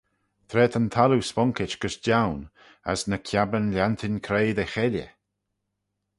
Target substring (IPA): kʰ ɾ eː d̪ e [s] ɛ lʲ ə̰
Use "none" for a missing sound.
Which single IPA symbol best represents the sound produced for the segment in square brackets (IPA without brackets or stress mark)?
x